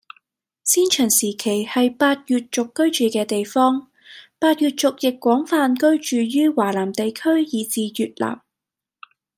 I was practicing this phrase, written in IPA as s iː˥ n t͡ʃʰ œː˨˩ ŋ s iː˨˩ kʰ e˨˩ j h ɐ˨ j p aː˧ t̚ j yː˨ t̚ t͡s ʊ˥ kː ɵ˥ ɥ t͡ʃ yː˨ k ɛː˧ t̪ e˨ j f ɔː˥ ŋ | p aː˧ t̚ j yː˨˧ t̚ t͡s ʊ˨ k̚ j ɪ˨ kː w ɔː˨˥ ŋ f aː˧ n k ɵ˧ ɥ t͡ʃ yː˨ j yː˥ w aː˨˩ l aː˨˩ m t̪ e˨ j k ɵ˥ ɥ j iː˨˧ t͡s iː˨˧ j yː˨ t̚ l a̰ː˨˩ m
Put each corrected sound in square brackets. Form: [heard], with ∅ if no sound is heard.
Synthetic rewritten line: s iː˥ n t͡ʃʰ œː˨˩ ŋ s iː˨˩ kʰ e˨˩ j h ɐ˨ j p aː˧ t̚ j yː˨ t̚ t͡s [ʊ˨] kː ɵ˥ ɥ t͡ʃ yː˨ k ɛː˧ t̪ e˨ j f ɔː˥ ŋ | p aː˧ t̚ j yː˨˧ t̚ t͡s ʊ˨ k̚ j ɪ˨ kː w ɔː˨˥ ŋ f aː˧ n k [ɵ˥] ɥ t͡ʃ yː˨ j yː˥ w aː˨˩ l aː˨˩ m t̪ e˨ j [kʰ] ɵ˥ ɥ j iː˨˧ t͡s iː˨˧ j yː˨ t̚ l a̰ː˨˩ m

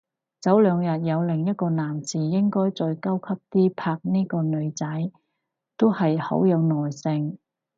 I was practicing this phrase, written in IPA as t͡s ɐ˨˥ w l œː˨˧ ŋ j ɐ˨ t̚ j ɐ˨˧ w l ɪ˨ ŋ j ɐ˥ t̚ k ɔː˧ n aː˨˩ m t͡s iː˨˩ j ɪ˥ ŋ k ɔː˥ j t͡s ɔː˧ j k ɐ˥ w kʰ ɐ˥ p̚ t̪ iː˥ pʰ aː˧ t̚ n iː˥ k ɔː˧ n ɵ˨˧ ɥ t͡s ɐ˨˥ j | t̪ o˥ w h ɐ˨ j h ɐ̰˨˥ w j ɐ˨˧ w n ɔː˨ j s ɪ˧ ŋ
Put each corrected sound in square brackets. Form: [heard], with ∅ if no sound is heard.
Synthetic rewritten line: t͡s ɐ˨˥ w l œː˨˧ ŋ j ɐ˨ t̚ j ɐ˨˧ w l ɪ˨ ŋ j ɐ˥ t̚ k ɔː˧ n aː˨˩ m t͡s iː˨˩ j ɪ˥ ŋ k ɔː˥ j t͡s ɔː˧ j k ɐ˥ w kʰ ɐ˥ p̚ t̪ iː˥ pʰ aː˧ [k̚] n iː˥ k ɔː˧ n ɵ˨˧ ɥ t͡s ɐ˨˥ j | t̪ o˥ w h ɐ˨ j h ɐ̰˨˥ w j ɐ˨˧ w n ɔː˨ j s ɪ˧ ŋ

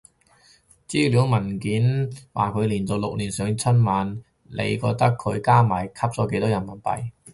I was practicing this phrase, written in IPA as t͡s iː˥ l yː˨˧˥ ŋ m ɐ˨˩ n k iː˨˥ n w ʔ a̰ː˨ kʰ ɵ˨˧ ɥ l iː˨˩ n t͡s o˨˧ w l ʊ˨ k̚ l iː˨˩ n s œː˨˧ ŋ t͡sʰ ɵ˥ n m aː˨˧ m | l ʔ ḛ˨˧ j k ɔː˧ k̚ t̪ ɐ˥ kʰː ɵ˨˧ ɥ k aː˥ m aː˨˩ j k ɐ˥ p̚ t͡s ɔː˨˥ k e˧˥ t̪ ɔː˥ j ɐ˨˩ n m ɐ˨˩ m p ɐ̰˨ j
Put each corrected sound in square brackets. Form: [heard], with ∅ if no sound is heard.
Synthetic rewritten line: t͡s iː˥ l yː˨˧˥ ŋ m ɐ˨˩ n k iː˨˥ n w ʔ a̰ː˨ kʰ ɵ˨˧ ɥ l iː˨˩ n t͡s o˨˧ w l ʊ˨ k̚ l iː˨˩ n s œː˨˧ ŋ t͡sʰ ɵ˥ n m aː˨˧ [n] | l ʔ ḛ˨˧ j k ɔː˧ k̚ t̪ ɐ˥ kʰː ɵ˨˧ ɥ k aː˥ m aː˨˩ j [kʰ] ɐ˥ p̚ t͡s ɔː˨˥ k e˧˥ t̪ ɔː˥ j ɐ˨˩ n m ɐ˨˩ [n] p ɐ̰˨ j

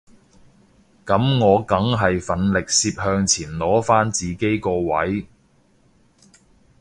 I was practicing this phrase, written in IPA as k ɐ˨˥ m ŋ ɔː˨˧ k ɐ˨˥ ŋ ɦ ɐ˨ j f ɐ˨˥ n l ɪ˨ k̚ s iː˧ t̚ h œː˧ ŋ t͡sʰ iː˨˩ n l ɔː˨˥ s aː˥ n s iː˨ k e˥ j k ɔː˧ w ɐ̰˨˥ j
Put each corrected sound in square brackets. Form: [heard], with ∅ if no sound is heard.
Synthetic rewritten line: k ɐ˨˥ m ŋ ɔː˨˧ k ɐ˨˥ ŋ ɦ ɐ˨ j f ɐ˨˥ n l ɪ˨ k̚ s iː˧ [p̚] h œː˧ ŋ t͡sʰ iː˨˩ n l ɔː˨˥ [f] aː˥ n [t͡s] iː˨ k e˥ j k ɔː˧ w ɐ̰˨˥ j

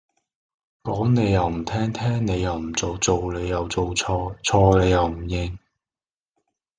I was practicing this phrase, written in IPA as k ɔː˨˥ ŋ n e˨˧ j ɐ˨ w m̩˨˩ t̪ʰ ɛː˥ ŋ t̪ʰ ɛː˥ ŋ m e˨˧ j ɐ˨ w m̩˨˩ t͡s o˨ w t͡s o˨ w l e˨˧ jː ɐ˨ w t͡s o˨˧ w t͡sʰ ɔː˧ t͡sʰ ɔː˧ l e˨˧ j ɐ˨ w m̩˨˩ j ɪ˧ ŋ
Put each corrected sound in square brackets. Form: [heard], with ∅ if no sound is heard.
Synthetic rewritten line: k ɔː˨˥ ŋ n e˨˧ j ɐ˨ w m̩˨˩ t̪ʰ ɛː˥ ŋ t̪ʰ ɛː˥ ŋ [n] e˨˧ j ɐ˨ w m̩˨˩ t͡s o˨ w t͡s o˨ w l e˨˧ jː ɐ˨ w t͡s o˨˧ w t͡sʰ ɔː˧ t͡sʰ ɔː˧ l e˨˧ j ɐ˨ w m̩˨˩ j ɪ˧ ŋ

